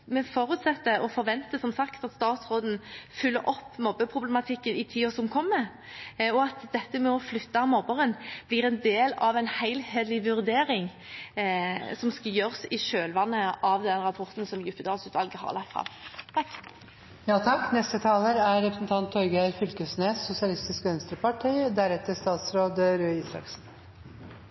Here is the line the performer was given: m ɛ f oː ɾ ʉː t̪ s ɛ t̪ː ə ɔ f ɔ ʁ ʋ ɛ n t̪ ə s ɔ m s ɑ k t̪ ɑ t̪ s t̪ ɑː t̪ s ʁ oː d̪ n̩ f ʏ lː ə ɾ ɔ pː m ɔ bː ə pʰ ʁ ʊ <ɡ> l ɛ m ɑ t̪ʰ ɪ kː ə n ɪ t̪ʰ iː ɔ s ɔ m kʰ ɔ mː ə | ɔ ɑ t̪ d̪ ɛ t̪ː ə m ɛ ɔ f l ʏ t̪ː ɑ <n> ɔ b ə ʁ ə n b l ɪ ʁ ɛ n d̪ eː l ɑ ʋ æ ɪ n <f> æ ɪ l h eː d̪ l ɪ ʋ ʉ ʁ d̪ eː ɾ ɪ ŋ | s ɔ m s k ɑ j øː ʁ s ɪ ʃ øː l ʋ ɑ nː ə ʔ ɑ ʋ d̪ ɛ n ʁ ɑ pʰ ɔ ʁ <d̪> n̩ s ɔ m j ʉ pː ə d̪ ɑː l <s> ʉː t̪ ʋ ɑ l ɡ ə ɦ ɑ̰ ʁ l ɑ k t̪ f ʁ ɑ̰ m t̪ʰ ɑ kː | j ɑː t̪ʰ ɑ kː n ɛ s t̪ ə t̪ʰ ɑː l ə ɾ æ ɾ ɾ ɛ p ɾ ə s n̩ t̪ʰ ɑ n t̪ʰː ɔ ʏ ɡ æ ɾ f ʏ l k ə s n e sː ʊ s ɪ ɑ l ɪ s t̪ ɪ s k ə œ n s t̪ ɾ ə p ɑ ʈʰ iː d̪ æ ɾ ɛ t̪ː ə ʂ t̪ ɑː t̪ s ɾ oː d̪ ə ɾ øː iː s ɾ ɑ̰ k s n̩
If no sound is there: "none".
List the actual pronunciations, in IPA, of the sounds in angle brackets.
b, m, h, t̪, s

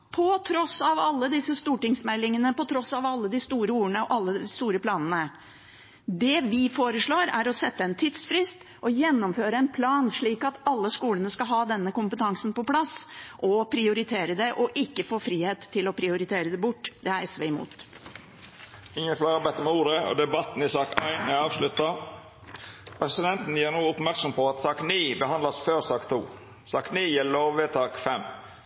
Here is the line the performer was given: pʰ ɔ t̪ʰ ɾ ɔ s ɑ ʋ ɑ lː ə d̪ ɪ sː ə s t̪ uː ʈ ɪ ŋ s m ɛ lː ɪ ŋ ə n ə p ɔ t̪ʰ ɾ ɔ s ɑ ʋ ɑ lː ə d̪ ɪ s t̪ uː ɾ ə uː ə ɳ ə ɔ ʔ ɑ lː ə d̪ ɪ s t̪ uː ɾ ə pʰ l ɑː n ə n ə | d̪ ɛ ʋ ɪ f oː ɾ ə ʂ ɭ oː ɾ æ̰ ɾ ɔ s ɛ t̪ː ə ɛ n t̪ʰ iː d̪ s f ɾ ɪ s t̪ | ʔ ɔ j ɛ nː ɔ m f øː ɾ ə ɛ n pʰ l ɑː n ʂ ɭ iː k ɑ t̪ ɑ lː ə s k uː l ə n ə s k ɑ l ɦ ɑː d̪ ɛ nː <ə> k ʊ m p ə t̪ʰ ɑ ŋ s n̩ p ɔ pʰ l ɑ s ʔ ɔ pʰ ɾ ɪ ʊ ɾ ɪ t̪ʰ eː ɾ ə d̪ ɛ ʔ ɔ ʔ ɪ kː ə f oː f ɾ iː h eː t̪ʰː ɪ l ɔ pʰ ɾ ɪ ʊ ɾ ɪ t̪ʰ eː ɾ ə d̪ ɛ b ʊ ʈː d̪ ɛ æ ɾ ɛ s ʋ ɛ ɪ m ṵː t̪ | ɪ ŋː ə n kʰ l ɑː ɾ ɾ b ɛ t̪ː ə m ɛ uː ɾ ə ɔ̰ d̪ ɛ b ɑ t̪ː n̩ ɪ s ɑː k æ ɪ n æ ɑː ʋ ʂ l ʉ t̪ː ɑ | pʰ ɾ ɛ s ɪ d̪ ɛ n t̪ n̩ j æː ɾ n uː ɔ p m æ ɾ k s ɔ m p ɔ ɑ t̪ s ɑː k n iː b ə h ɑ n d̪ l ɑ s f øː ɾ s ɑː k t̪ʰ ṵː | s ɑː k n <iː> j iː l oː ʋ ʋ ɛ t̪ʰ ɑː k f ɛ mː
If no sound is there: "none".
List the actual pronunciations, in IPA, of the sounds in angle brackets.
ə, iː

